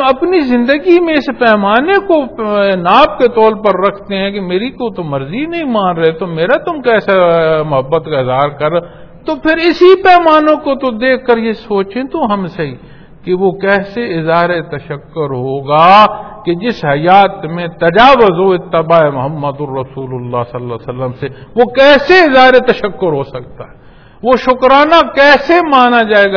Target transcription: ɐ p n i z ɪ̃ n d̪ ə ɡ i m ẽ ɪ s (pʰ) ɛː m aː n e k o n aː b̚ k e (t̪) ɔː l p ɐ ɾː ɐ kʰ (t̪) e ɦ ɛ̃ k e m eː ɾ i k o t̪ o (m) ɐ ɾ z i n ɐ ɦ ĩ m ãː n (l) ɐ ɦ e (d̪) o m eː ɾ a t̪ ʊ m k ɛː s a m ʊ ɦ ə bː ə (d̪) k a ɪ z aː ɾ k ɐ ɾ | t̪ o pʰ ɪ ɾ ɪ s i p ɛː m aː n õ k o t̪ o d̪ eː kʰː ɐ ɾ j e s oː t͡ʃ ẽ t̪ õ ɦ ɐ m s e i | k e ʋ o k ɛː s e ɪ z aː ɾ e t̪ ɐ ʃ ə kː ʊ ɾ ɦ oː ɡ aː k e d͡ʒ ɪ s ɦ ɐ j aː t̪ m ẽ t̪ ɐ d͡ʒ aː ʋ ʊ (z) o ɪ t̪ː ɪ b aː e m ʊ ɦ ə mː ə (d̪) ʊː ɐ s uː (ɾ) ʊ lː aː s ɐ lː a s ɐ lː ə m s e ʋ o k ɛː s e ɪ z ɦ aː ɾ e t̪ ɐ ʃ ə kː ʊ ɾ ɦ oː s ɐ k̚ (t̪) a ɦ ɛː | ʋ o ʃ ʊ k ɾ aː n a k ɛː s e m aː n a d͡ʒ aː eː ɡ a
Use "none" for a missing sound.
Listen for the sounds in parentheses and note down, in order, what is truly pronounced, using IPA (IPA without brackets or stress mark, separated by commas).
p, t̪, t̪, m, ɾ, t̪, t̪, z, d̪, l, t̪